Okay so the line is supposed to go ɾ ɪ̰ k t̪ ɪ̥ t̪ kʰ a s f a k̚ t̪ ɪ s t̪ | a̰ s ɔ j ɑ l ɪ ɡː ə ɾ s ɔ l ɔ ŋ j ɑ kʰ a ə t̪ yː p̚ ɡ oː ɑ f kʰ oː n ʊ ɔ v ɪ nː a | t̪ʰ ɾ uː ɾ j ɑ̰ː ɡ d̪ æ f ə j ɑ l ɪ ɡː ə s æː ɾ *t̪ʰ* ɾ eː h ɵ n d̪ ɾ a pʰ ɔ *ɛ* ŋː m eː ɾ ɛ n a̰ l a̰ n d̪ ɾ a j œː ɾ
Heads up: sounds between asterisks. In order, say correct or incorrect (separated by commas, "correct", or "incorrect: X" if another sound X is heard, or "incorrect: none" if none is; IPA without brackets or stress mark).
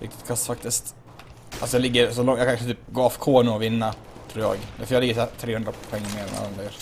correct, correct